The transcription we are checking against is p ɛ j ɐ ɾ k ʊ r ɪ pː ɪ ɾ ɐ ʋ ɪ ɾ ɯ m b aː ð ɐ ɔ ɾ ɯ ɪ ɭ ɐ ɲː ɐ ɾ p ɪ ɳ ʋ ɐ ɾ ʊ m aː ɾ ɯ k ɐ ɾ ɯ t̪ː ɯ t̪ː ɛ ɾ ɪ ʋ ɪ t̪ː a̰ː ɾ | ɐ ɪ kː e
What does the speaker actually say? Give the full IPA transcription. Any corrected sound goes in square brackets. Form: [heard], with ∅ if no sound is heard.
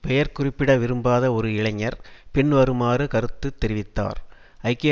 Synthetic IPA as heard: p ɛ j ɐ ɾ k ʊ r ɪ pː ɪ [ɽ] ɐ ʋ ɪ ɾ ɯ m b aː ð ɐ ɔ ɾ ɯ ɪ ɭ ɐ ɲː ɐ ɾ p ɪ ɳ ʋ ɐ ɾ [ɯ] m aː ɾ ɯ k ɐ ɾ ɯ t̪ː ɯ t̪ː ɛ ɾ ɪ ʋ ɪ t̪ː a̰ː ɾ | ɐ ɪ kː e